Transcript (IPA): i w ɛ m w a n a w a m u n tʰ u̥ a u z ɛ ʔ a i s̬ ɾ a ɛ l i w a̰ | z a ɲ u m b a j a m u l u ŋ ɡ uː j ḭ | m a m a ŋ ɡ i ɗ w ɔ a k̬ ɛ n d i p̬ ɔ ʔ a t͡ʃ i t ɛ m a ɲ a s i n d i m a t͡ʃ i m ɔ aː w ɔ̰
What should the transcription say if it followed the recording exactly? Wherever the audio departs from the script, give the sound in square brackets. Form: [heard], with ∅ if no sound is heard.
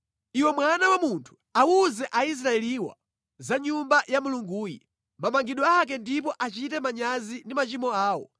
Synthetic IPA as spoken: i w ɛ m w a n a w a m u n tʰ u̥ a u z ɛ ʔ a i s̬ ɾ a ɛ l i w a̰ | z a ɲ u m b a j a m u l u ŋ ɡ uː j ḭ | m a m a ŋ ɡ i ɗ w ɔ a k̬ ɛ n d i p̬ ɔ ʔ a t͡ʃ i t ɛ m a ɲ a [z] i n d i m a t͡ʃ i m ɔ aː w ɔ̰